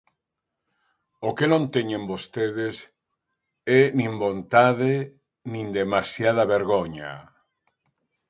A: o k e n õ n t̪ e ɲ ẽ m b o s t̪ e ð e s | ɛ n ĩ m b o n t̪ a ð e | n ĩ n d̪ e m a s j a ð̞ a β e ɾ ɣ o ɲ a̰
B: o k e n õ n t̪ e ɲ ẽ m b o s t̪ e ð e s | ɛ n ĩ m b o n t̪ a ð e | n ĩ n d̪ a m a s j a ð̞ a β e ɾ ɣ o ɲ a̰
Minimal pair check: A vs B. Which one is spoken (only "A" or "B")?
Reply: A